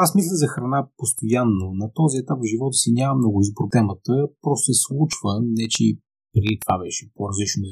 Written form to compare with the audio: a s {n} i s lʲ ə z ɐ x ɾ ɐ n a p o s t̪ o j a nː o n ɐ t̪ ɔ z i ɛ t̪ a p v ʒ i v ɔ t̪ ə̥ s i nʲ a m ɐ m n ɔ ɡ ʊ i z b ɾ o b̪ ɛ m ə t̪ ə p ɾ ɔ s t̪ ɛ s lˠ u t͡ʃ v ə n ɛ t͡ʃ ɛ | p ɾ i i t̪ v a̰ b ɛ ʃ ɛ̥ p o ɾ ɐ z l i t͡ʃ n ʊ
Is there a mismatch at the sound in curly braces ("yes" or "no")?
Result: yes